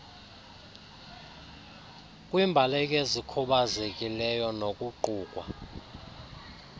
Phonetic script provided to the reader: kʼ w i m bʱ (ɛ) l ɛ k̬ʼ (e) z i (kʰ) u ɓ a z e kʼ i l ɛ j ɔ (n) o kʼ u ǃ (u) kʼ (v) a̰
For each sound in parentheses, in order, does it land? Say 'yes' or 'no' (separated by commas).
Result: no, yes, yes, yes, no, no